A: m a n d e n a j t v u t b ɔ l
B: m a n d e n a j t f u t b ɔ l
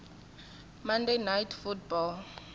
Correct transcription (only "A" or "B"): B